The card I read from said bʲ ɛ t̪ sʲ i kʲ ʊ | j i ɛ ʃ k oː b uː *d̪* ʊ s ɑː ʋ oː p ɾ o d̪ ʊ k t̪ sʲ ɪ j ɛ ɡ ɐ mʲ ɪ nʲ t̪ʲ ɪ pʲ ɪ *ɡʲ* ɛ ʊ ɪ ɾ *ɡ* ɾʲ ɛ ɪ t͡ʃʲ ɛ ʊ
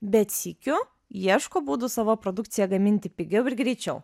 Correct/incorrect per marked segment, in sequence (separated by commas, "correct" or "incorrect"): correct, correct, correct